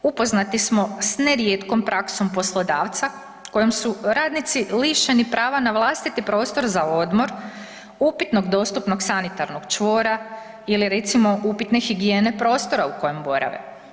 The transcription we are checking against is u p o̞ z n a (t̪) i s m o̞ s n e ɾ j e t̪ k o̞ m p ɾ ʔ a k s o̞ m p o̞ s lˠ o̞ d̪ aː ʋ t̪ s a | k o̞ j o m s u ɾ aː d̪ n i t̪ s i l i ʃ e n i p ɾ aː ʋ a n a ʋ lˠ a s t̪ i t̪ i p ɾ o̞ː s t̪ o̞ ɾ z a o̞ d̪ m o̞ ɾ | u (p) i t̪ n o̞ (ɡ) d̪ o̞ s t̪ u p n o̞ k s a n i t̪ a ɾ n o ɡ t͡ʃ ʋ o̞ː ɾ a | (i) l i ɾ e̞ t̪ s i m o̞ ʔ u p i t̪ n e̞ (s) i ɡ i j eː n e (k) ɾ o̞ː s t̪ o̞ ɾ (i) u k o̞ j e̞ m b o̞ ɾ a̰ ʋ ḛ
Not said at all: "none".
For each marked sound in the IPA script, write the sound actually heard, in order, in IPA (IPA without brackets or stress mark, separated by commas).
t̪, p, ɡ, i, x, p, a